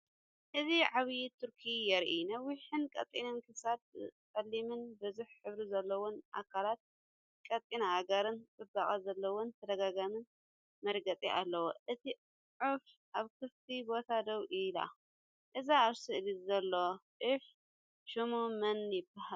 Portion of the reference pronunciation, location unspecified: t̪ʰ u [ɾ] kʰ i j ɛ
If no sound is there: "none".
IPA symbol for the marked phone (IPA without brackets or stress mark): ɾ